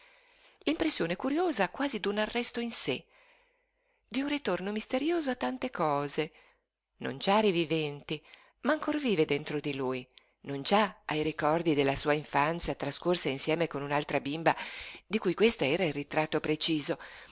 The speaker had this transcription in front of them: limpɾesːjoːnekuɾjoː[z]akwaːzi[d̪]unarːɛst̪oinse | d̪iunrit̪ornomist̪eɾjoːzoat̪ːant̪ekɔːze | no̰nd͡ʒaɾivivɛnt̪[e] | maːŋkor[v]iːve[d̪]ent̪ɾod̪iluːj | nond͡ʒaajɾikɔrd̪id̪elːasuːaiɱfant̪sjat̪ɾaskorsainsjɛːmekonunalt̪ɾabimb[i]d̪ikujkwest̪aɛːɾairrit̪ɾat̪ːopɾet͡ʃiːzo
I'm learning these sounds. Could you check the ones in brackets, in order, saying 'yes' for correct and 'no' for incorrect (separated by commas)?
yes, yes, no, yes, yes, no